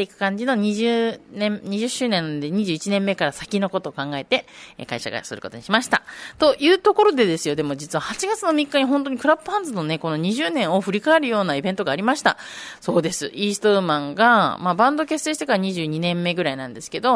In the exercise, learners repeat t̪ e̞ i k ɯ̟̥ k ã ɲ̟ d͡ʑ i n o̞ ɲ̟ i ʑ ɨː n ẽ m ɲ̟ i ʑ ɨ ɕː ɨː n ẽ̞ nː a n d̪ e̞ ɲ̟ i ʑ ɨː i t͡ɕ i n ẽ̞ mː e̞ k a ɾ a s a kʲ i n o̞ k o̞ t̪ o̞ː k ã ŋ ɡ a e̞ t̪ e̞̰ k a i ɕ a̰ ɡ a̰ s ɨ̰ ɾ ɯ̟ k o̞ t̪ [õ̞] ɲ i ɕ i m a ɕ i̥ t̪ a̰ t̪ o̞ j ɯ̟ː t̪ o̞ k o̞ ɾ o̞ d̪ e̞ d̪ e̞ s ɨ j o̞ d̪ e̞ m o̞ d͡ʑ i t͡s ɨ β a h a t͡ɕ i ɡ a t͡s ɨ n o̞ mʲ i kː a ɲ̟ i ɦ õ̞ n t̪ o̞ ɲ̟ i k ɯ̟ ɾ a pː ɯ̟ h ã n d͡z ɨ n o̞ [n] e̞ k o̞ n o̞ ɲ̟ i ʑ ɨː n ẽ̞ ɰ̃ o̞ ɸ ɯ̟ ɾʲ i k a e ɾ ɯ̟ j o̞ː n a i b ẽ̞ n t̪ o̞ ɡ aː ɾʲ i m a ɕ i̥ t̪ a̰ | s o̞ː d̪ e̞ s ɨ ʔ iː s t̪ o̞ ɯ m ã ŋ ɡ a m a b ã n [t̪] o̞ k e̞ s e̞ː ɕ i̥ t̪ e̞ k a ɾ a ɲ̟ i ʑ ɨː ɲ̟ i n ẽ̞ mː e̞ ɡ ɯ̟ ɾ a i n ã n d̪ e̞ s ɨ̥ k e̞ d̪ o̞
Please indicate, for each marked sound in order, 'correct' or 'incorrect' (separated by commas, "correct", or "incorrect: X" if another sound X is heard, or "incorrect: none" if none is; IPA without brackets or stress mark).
incorrect: o̞, correct, incorrect: d̪